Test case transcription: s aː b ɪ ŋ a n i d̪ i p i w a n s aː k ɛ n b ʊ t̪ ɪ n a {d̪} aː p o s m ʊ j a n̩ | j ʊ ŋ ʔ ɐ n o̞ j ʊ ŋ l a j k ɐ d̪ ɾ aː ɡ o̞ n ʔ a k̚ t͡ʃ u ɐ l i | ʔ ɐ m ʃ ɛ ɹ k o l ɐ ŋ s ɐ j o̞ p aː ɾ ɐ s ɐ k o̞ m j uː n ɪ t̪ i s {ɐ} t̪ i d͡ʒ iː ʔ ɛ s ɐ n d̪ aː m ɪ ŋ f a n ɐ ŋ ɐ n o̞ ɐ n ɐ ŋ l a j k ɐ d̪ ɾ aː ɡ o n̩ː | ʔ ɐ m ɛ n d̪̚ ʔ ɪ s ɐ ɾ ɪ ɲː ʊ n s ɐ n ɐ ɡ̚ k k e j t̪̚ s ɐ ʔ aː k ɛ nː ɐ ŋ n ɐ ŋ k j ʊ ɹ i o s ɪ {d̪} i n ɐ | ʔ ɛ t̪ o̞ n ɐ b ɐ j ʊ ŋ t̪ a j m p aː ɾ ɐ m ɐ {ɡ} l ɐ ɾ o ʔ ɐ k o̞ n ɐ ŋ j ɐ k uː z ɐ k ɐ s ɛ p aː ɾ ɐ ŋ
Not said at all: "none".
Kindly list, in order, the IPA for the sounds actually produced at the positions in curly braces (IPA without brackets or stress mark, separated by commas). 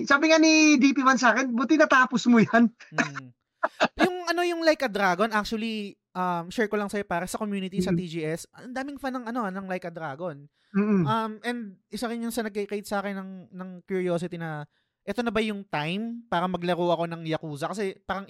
t̪, ɐ, t̪, ɡ